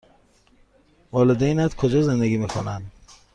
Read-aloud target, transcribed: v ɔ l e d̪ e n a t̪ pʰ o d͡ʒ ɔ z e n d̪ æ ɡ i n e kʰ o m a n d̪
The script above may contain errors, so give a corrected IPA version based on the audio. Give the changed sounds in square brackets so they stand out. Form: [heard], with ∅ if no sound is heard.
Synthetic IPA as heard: v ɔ l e d̪ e n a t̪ [kʰ] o d͡ʒ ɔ z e n d̪ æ ɡ i [m] e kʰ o [n] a n d̪